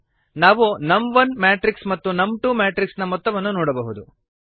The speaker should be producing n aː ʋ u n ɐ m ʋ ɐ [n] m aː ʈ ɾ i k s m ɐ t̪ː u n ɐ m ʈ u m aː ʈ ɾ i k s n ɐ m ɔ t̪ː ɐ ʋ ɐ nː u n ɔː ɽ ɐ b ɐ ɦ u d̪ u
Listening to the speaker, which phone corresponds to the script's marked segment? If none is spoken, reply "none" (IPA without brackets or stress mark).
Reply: n